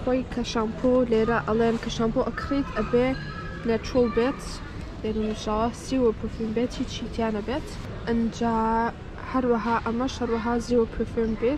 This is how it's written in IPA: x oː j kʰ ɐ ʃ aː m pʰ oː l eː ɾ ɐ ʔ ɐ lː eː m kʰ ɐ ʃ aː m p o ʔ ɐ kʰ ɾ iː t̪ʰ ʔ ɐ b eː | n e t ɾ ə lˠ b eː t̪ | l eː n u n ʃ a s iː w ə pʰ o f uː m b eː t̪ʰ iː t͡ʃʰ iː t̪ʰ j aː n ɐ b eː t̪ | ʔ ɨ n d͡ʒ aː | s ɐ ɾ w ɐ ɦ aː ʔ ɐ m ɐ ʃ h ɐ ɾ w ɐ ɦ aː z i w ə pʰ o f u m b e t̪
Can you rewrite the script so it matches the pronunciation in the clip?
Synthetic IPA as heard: x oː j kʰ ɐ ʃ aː m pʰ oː l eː ɾ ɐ ʔ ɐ l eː n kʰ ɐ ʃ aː m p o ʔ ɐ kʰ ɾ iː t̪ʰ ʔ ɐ b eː | n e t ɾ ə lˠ b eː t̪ | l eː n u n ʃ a s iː w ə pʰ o f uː m b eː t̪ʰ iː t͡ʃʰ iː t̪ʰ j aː n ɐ b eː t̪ | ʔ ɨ n d͡ʒ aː | h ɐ ɾ w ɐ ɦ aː ʔ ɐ m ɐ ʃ h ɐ ɾ w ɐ ɦ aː z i w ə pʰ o f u m b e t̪

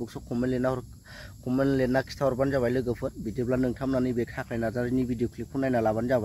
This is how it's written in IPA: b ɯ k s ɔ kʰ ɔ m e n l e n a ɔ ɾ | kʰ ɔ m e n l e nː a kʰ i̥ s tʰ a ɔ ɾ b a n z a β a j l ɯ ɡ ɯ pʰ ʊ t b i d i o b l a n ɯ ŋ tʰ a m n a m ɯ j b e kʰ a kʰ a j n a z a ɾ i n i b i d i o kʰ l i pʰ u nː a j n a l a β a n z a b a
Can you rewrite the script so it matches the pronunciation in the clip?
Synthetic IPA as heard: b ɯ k s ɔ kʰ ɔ m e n l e n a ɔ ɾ | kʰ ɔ m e n l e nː a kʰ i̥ s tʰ a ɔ ɾ b a n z a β a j l ɯ ɡ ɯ pʰ ɯ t b i d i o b l a n ɯ ŋ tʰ a m n a n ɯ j b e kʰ a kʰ a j n a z a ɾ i n i b i d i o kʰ l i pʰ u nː a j n a l a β a n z a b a

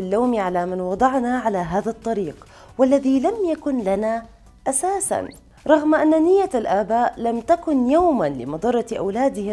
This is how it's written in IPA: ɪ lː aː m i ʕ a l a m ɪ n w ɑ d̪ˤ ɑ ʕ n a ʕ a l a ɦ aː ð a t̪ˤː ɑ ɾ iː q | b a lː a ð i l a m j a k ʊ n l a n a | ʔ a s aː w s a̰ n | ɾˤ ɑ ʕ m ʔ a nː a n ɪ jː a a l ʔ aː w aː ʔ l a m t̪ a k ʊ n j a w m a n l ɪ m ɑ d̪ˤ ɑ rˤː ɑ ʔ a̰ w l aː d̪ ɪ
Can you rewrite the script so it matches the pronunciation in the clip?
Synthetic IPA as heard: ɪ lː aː m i ʕ a l a m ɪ n w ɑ d̪ˤ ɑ ʕ n a ʕ a l a ɦ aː ð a t̪ˤː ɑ ɾ iː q | w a lː a ð i l a m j a k ʊ n l a n a | ʔ a s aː s a̰ n | ɾˤ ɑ ɣ m ʔ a nː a n ɪ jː a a l ʔ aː b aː ʔ l a m t̪ a k ʊ n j a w m a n l ɪ m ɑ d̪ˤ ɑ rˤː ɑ ʔ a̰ w l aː d̪ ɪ

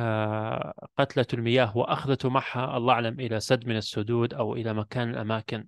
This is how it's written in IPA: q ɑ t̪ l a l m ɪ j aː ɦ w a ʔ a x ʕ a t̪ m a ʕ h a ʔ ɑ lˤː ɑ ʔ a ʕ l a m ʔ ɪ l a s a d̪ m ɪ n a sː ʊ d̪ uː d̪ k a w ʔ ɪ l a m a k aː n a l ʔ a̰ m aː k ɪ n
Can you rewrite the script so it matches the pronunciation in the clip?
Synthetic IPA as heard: q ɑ t̪ l a l m ɪ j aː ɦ w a ʔ a x ð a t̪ m a ʕ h a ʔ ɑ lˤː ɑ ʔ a ʕ l a m ʔ ɪ l a s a d̪ m ɪ n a sː ʊ d̪ uː d̪ ʔ a w ʔ ɪ l a m a k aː n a l ʔ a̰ m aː k ɪ n

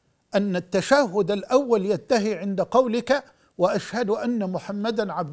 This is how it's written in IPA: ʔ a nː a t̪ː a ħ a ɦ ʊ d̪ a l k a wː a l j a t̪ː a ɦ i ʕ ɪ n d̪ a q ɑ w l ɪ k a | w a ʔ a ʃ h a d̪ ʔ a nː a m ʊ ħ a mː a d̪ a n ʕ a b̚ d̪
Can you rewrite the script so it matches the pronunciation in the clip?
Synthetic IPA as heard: ʔ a nː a t̪ː a ʃ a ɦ ʊ d̪ a l ʔ a wː a l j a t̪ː a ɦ i ʕ ɪ n d̪ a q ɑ w l ɪ k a | w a ʔ a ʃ h a d̪ ʔ a nː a m ʊ ħ a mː a d̪ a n ʕ a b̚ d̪

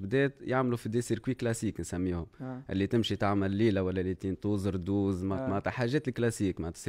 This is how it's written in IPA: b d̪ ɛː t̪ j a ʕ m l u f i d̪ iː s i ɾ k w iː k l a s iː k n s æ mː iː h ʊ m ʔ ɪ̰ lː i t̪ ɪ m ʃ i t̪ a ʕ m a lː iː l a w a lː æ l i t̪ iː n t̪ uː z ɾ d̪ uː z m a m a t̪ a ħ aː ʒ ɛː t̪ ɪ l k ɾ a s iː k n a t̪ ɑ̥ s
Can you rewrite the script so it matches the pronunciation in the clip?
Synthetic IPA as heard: b d̪ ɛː t̪ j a ʕ m l u f i d̪ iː s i ɾ k w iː k l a s iː k n s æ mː iː h ʊ m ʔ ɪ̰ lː i t̪ ɪ m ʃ i t̪ a ʕ m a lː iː l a w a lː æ l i t̪ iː n t̪ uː z ɾ d̪ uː z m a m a t̪ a ħ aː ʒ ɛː t̪ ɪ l k l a s iː k m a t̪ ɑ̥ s

